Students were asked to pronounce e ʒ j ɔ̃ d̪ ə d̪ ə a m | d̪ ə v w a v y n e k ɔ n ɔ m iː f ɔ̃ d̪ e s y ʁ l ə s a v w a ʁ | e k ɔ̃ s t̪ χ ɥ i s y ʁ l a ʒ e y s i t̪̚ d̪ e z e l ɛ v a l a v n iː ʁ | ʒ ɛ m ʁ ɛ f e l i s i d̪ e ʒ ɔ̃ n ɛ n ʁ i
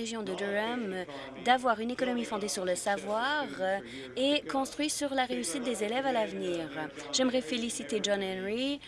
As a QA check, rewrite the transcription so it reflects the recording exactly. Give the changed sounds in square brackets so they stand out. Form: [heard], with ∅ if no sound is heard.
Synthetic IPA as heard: e ʒ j ɔ̃ d̪ ə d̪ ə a m | d̪ [a] v w a [ʁ] y n e k ɔ n ɔ m [i] f ɔ̃ d̪ e s y ʁ l ə s a v w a ʁ | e k ɔ̃ s t̪ χ ɥ i s y ʁ l a [ʁ] e y s i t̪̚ d̪ e z e l ɛ v a l a v n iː ʁ | ʒ ɛ m ʁ ɛ f e l i s i [t̪] e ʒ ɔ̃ n ɛ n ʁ i